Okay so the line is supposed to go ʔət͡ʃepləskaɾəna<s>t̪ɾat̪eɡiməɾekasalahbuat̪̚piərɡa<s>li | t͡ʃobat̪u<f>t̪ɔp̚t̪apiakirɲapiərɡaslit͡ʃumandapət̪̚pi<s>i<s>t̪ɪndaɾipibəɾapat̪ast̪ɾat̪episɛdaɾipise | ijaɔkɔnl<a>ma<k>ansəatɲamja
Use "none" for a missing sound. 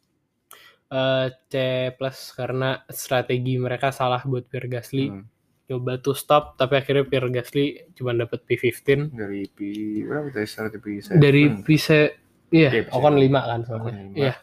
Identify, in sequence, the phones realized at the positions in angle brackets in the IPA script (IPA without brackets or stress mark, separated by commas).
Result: s, s, s, f, f, i, k